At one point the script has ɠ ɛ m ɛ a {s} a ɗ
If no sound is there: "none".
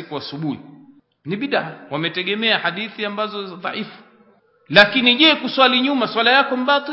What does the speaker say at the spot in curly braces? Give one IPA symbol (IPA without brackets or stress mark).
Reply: h